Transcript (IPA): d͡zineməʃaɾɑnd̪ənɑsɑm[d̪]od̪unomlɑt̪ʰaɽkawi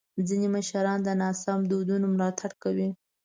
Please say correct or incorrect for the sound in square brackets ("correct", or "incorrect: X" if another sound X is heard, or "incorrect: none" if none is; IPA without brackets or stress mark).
correct